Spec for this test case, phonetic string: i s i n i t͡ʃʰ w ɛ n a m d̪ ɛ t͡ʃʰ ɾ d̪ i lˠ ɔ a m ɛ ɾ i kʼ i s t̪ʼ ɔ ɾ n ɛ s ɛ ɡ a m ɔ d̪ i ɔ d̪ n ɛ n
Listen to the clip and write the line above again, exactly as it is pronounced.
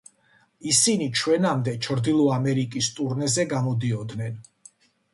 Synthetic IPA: i s i n i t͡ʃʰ w ɛ n a m d̪ ɛ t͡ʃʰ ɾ d̪ i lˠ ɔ a m ɛ ɾ i kʼ i s t̪ʼ u ɾ n ɛ z ɛ ɡ a m ɔ d̪ i ɔ d̪ n ɛ n